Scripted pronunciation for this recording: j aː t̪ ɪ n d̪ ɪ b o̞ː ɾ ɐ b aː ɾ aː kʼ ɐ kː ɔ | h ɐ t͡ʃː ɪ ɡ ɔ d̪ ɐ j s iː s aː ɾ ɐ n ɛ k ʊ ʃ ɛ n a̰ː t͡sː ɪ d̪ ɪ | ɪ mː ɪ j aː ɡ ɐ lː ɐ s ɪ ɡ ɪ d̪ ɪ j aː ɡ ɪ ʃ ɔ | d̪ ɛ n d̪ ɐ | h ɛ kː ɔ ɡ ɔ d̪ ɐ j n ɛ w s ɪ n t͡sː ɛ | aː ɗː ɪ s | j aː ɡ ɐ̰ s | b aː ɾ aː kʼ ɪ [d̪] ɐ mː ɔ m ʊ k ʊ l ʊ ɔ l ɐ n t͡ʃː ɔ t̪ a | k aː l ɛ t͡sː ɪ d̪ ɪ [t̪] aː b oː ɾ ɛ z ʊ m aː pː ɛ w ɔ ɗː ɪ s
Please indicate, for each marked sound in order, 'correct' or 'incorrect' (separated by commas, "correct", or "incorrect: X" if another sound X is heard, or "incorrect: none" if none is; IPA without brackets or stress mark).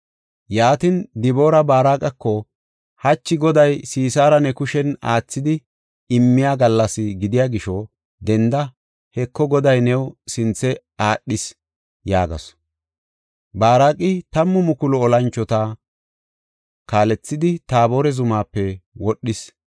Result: incorrect: t̪, correct